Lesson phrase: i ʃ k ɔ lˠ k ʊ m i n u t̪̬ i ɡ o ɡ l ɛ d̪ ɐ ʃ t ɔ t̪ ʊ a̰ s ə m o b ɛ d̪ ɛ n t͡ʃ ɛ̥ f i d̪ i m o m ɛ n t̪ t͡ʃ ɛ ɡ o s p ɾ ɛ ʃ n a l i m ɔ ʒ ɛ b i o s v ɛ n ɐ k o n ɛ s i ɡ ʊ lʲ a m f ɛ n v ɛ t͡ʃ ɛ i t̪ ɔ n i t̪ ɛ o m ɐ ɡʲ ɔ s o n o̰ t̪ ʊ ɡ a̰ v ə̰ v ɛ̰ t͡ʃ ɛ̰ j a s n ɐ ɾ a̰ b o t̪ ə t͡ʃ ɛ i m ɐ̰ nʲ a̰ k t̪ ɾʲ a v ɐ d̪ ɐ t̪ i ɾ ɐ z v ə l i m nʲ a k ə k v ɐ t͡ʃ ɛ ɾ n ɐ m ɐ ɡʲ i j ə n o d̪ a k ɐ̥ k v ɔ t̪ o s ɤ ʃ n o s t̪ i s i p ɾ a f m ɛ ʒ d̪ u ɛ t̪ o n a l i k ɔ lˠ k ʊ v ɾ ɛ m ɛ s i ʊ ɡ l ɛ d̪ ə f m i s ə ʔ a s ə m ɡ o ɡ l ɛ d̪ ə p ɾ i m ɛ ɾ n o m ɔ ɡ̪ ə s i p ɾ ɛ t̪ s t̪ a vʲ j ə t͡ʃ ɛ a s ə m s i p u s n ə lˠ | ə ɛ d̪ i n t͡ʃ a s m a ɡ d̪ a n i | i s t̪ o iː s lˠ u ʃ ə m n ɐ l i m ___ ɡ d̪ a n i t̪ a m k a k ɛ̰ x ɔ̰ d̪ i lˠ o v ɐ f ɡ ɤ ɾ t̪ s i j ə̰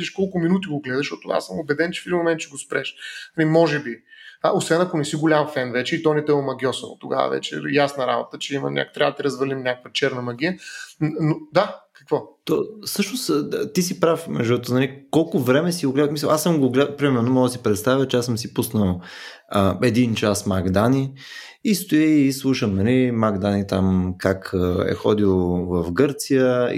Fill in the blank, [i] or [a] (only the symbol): a